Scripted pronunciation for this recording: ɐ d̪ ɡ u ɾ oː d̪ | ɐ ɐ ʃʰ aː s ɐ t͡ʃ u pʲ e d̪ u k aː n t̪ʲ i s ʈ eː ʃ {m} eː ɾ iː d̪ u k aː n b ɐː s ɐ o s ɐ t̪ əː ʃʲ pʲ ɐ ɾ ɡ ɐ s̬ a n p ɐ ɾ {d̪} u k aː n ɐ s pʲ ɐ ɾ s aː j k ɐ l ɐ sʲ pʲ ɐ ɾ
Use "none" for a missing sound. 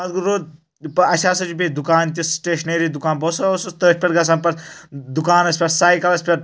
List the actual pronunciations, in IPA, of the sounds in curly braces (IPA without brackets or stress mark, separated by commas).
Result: n, d̪